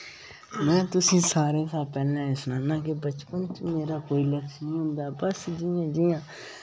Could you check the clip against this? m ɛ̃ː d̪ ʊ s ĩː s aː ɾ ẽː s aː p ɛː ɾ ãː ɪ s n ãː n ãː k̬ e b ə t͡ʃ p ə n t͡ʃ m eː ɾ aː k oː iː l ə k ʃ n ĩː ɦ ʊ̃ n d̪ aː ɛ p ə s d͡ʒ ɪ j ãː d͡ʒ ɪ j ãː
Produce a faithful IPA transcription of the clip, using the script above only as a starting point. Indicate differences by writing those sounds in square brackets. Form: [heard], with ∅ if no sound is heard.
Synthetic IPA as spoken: m ɛ̃ː [t̪] ʊ s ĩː s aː ɾ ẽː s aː p ɛː [l] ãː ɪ s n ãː n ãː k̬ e b ə t͡ʃ p ə n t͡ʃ m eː ɾ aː k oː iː l ə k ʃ n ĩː ɦ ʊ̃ n d̪ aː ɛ [b] ə s d͡ʒ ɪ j ãː d͡ʒ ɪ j ãː